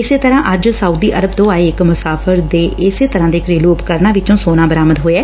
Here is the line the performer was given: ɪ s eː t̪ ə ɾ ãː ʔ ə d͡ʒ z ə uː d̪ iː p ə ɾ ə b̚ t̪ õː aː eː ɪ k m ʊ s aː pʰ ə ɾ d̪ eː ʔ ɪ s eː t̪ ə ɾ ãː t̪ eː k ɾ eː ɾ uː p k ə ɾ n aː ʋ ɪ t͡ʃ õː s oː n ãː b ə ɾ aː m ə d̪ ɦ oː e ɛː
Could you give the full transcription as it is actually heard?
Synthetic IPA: ɪ s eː t̪ ə ɾ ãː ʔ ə d͡ʒ s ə uː d̪ iː ʔ ə ɾ ə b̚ t̪ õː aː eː ɪ k m ʊ s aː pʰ ə ɾ d̪ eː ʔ ɪ s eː t̪ ə ɾ ãː d̪ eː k ɾ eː l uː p k ə ɾ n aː ʋ ɪ t͡ʃ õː s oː n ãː b ə ɾ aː m ə d̪ ɦ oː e ɛː

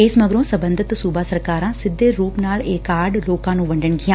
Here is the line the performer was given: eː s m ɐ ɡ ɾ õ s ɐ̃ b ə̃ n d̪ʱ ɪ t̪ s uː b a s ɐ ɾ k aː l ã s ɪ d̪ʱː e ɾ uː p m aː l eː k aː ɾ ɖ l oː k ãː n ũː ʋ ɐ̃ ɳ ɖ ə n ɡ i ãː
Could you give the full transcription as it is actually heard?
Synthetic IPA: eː s m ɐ ɡ ɾ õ s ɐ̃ b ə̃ n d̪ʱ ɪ t̪ s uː b a s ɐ ɾ k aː ɾ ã s ɪ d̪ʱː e ɾ uː p n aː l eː k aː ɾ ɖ l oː k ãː n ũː ʋ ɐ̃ ɳ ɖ ə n ɡ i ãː

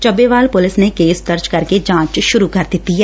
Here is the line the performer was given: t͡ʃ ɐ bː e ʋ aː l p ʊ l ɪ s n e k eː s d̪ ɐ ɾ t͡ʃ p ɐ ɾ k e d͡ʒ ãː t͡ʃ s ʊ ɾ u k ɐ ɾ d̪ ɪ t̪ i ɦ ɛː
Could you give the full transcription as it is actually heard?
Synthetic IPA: t͡ʃ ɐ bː e ʋ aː l p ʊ l ɪ s n e k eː s d̪ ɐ ɾ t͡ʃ k ɐ ɾ k e d͡ʒ ãː t͡ʃ ʃ ʊ ɾ u k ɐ ɾ d̪ ɪ t̪ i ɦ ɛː

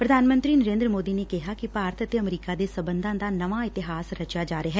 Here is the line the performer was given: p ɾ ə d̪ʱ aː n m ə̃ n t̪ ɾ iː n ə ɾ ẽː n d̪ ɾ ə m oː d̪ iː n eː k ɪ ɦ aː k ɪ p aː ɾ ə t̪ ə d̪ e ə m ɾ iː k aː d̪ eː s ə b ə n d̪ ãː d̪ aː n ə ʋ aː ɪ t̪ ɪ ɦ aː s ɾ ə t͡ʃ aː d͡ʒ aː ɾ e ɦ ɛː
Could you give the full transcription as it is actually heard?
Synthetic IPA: p ɾ ə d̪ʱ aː n m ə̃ n t̪ ɾ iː n ə ɾ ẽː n d̪ ɾ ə m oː d̪ iː n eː k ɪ ɦ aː k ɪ p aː ɾ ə t̪ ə t̪ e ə m ɾ iː k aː d̪ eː s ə b ə n d̪ ãː d̪ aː n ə ʋ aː ɪ t̪ ɪ ɦ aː s ɾ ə t͡ʃ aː d͡ʒ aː ɾ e ɦ ɛː

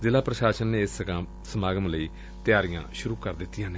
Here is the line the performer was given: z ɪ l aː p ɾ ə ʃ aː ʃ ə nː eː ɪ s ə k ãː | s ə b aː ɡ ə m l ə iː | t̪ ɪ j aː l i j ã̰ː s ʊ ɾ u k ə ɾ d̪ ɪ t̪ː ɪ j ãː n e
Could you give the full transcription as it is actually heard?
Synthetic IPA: z ɪ l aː p ɾ ə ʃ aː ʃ ə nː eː ɪ s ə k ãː | s ə m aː ɡ ə m l ə iː | t̪ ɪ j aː ɾ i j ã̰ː ʃ ʊ ɾ uː k ə ɾ d̪ ɪ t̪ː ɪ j ãː n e

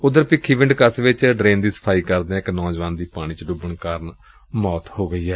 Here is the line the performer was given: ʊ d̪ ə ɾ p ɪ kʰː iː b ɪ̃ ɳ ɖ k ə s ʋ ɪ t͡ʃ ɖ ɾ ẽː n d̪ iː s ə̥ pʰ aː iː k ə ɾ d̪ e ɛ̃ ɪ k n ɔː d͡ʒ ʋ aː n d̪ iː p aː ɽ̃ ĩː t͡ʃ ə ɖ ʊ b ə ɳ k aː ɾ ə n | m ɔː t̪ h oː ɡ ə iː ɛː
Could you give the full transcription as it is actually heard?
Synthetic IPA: ʊ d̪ ə ɾ p ɪ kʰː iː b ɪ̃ ɳ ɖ k ə s ʋ ɪ t͡ʃ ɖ ɾ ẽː n d̪ iː s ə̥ pʰ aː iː k ə ɾ d̪ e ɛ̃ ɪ k n ɔː d͡ʒ ʋ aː n d̪ iː p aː ɽ̃ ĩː t͡ʃ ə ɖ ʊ b ə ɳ k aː ɾ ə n | m ɔː t̪ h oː ɡ ə iː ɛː

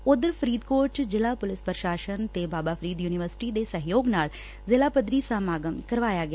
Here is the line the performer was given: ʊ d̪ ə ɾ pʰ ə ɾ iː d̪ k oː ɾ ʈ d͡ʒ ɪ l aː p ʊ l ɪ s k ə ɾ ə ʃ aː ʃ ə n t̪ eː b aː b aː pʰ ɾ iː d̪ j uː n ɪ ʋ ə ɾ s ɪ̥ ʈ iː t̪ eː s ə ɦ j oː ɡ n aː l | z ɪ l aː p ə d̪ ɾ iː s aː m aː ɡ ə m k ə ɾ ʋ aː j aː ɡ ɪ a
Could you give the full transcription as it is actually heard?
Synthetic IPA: ʊ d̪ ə ɾ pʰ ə ɾ iː d̪ k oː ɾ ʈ d͡ʒ ɪ l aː p ʊ l ɪ s p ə ɾ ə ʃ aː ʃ ə n t̪ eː b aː b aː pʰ ɾ iː d̪ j uː n ɪ ʋ ə ɾ s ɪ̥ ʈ iː d̪ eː s ə ɦ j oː ɡ n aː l | z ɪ l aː p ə d̪ ɾ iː s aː m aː ɡ ə m k ə ɾ ʋ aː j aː ɡ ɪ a

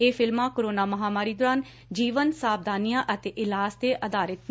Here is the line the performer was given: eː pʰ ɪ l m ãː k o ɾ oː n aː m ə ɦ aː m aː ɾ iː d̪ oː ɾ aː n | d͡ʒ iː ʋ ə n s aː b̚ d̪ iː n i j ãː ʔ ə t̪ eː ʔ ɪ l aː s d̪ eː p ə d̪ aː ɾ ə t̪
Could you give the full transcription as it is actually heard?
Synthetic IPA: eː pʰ ɪ l m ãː k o ɾ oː n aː m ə ɦ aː m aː ɾ iː d̪ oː ɾ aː n | d͡ʒ iː ʋ ə n s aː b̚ d̪ aː n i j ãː ʔ ə t̪ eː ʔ ɪ l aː s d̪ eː ʔ ə d̪ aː ɾ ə t̪

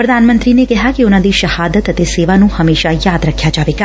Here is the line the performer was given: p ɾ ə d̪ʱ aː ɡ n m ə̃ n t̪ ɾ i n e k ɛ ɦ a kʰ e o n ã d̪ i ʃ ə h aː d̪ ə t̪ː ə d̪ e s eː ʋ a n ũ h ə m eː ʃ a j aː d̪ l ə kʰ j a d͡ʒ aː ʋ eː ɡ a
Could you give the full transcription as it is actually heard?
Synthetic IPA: p ɾ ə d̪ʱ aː n m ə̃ n t̪ ɾ i n e k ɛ ɦ a k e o n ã d̪ i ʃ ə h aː d̪ ə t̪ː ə t̪ e s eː ʋ a n ũ h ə m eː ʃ a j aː d̪ ɾ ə kʰ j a d͡ʒ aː ʋ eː ɡ a

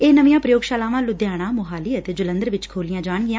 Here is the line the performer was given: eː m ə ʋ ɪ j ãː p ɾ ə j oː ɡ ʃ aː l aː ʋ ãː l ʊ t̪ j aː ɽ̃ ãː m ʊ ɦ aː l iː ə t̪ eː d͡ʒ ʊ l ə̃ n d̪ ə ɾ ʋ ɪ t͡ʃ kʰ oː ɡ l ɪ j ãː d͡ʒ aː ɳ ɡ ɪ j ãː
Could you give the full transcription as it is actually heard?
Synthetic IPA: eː n ə ʋ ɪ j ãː p ɾ ə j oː ɡ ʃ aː l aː ʋ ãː l ʊ d̪ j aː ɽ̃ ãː m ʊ ɦ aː l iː ə t̪ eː d͡ʒ ʊ l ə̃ n d̪ ə ɾ ʋ ɪ t͡ʃ kʰ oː l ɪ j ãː d͡ʒ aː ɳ ɡ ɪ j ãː

